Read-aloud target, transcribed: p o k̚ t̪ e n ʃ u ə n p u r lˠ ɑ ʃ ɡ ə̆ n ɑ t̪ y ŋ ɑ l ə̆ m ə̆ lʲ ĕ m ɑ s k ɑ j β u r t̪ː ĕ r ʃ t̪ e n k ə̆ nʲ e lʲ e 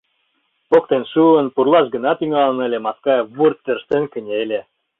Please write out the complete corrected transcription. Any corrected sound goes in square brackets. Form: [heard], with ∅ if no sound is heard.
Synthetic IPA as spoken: p o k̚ t̪ e n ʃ u ə n p u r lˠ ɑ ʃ ɡ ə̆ n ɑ t̪ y ŋ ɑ l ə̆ [n] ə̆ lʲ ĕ m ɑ s k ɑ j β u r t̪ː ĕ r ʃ t̪ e n k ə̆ nʲ e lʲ e

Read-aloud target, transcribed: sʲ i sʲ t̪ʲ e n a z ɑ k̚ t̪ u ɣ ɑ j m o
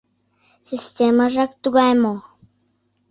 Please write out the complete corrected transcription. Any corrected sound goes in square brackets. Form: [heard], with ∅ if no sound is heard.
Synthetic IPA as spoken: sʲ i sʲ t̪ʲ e [m] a [ʒ] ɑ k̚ t̪ u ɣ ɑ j m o

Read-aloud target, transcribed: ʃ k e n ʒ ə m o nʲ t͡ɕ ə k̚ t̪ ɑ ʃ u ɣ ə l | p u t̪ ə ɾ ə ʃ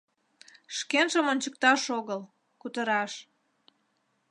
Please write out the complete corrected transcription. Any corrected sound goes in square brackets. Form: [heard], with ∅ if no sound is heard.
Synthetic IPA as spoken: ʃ k e n ʒ ə m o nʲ t͡ɕ ə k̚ t̪ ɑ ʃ [o] ɣ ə l | [k] u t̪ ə ɾ [ɑ] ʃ

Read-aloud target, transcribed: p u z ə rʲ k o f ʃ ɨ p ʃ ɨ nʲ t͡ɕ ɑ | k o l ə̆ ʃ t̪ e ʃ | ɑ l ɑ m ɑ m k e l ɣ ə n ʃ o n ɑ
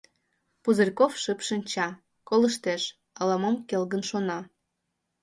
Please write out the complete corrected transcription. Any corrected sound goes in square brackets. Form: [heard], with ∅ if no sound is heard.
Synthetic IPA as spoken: p u z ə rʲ k o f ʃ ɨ p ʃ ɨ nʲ t͡ɕ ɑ | k o l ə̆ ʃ t̪ e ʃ | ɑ l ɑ m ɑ m k e l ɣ ə n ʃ o n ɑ

